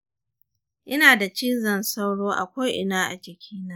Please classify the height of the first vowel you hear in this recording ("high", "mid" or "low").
high